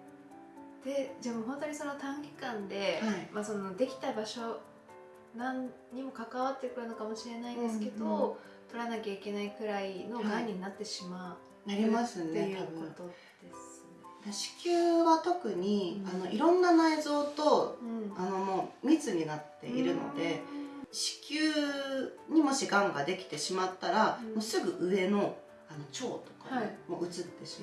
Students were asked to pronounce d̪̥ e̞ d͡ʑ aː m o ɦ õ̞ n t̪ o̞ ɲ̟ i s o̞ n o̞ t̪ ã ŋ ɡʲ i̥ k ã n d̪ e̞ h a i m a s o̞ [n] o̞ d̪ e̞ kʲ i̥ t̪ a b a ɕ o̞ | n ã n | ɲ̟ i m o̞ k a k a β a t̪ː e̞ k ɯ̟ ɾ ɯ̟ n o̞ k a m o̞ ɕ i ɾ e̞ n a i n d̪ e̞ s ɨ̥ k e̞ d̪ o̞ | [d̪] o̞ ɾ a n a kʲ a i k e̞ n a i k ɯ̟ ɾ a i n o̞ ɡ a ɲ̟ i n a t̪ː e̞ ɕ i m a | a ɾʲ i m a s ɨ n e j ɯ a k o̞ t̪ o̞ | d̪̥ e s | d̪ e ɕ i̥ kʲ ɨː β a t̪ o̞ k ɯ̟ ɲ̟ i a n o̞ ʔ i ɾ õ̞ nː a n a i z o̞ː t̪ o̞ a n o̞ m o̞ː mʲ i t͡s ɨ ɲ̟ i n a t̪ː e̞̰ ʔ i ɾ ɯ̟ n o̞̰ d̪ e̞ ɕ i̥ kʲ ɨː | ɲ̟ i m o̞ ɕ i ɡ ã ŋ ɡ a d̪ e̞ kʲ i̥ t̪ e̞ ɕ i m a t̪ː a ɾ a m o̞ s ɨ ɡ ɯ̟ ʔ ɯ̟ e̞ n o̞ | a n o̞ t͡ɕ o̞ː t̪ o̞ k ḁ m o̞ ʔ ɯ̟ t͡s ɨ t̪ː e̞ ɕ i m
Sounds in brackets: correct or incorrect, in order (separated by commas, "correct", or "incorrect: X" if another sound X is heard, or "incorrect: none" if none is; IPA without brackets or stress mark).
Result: correct, incorrect: t̪